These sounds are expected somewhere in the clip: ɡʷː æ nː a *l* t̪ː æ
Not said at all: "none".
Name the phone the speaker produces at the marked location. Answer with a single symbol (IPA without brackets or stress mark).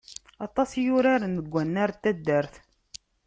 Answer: ɾ